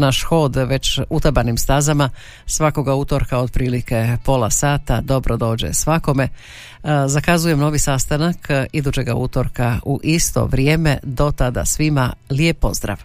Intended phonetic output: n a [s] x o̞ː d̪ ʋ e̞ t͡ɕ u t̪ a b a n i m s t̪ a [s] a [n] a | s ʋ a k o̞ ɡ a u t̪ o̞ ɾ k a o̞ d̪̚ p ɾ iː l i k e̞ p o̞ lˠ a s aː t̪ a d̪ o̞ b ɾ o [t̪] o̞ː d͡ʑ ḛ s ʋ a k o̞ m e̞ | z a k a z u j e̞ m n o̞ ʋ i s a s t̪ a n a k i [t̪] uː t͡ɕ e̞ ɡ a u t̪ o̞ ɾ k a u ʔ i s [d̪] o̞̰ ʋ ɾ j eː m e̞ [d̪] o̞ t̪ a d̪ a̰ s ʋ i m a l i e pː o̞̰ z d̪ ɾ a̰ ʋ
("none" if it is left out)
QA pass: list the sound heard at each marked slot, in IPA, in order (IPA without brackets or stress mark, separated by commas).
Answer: ʃ, z, m, d̪, d̪, t̪, d̪